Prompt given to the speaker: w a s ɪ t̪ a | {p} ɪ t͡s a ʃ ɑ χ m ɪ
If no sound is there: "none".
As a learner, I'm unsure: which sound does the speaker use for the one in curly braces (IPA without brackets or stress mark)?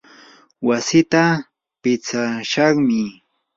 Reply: p